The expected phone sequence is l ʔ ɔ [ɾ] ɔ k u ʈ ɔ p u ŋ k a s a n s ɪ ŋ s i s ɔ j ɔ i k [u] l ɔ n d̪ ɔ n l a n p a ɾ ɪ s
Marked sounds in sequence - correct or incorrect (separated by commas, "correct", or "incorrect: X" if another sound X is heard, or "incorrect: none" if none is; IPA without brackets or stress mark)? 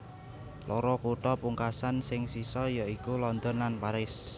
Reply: correct, correct